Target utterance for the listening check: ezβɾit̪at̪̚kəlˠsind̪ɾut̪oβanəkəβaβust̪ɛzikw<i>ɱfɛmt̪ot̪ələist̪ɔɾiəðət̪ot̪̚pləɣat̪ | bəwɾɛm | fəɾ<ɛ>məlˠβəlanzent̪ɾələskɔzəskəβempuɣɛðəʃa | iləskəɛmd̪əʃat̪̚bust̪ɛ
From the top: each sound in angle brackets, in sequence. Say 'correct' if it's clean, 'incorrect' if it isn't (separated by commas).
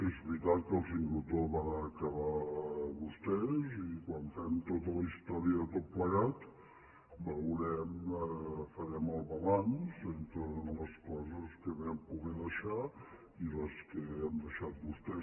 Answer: incorrect, correct